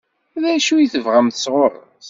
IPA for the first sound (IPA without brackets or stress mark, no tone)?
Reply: ð